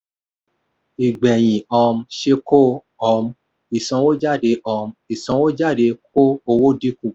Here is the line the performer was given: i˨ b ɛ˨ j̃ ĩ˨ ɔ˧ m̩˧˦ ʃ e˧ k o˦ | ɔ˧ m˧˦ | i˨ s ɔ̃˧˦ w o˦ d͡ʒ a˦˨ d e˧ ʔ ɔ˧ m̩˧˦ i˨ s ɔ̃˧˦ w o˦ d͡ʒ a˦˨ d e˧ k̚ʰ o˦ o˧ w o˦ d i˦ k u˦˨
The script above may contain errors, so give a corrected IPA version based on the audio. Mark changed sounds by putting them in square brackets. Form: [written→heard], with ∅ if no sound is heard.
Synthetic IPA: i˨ [b→ɡ͡b] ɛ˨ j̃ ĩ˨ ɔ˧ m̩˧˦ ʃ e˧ k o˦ | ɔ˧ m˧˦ | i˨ s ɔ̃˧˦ w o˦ d͡ʒ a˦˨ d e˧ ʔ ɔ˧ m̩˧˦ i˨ s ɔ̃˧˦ w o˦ d͡ʒ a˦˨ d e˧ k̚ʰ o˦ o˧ w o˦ d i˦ k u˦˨

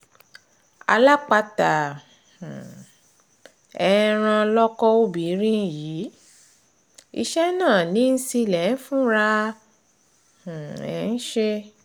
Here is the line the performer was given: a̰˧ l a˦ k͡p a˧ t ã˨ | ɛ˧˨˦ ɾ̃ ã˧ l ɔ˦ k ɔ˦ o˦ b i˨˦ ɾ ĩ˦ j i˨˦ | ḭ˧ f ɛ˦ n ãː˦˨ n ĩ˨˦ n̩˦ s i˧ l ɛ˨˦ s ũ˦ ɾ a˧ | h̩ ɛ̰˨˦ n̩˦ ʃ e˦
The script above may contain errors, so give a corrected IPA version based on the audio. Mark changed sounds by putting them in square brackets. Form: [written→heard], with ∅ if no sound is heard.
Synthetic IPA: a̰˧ l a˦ k͡p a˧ t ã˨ | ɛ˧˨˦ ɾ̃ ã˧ l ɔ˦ k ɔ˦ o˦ b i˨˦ ɾ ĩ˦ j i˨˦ | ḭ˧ [f→ʃ] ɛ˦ n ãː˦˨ n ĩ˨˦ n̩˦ s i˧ l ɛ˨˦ [s→f] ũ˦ ɾ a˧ | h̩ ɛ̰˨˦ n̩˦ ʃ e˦

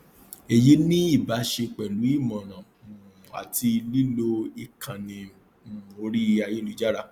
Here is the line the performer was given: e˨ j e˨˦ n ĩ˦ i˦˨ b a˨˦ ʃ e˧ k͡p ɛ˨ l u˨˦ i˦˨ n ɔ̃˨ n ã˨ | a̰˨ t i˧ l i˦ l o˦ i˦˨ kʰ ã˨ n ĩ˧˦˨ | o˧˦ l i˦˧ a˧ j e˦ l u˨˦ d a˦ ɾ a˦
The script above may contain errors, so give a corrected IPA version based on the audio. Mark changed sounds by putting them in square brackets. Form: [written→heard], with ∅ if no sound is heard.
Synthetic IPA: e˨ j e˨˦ n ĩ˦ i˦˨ b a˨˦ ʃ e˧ k͡p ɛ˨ l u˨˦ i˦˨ [n→m] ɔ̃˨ n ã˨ | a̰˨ t i˧ l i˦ l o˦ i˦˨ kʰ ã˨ n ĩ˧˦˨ | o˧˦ [l→ɾ] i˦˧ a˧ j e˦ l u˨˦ [d→d͡ʒ] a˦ ɾ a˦

